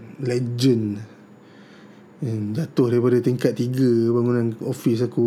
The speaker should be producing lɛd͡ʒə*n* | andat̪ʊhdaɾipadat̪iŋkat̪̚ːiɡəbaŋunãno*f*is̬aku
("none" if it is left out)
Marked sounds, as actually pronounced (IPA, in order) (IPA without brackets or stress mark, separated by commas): n, f